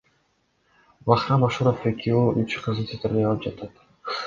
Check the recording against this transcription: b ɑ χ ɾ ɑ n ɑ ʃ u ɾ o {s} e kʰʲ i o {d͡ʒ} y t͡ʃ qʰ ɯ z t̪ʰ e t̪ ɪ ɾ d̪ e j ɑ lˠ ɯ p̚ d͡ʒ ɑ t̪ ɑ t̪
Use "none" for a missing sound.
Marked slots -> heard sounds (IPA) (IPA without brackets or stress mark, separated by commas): f, none